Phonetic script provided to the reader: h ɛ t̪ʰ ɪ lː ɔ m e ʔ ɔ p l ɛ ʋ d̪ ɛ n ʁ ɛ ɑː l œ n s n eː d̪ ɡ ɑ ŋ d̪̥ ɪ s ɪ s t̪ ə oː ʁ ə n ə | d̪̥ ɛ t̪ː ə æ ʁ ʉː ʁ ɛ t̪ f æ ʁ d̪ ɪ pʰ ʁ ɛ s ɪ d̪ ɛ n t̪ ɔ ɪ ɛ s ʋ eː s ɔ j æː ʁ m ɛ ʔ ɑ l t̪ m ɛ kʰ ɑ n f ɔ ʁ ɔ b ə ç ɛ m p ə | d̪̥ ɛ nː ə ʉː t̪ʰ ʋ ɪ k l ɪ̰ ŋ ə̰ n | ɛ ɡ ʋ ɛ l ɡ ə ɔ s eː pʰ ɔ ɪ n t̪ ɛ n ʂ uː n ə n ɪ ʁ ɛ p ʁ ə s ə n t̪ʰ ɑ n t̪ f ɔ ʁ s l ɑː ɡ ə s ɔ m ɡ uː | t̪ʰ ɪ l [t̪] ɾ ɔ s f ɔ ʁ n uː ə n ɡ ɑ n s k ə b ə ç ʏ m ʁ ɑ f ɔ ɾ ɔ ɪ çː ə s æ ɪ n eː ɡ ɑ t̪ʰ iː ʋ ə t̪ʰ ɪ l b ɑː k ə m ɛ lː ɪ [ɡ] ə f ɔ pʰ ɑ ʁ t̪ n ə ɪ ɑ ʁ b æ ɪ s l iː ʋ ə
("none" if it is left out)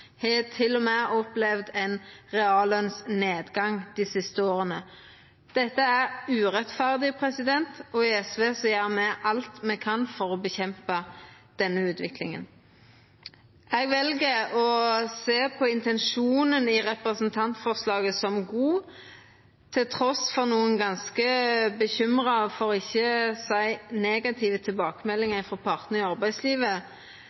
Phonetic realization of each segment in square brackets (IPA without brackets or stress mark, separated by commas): t̪ʰ, ŋ